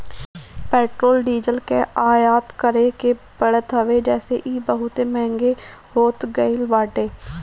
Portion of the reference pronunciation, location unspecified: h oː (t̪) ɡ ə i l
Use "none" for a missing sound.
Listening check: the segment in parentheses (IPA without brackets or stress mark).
t̪